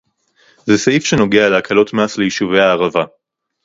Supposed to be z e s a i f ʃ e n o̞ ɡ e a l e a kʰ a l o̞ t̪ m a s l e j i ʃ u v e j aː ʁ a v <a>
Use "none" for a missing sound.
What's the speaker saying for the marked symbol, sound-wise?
a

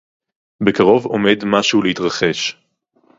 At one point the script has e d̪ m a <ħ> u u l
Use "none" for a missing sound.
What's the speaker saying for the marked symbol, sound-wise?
ʃ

